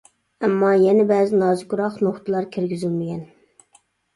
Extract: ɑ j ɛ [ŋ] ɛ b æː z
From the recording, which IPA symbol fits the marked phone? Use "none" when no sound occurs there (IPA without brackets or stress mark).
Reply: n